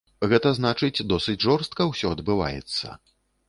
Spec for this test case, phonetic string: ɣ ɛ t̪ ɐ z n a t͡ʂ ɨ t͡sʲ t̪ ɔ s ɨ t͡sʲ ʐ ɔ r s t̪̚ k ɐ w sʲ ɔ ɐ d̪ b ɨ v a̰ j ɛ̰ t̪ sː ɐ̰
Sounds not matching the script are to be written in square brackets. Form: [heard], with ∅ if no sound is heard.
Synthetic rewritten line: ɣ ɛ t̪ ɐ z n a t͡ʂ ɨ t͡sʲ [d̪] ɔ s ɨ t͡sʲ ʐ ɔ r s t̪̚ k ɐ w sʲ ɔ ɐ d̪ b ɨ v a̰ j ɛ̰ t̪ sː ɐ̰